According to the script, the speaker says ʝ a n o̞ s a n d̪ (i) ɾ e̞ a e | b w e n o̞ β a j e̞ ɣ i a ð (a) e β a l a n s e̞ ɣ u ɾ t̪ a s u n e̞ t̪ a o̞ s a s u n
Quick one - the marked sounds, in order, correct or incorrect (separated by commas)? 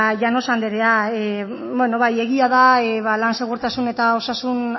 incorrect, correct